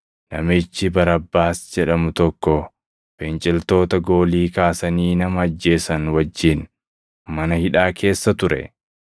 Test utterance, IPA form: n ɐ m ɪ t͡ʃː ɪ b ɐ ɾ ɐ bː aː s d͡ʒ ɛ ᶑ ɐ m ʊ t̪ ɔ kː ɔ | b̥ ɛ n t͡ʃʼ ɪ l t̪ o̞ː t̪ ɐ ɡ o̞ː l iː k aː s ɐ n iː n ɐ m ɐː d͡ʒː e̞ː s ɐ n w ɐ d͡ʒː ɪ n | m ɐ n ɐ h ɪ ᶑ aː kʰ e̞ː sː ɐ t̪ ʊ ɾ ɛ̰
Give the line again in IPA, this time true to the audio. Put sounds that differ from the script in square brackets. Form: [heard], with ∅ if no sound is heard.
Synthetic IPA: n ɐ m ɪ t͡ʃː ɪ b ɐ ɾ ɐ bː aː s d͡ʒ ɛ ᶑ ɐ m ʊ t̪ ɔ kː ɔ | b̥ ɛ n t͡ʃʼ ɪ l t̪ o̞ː t̪ ɐ ɡ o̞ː l iː k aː s ɐ n iː n ɐ m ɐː d͡ʒː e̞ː s ɐ n w ɐ d͡ʒː ɪ n | m ɐ n ɐ h ɪ ᶑ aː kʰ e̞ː sː ɐ t̪ ʊ ɾ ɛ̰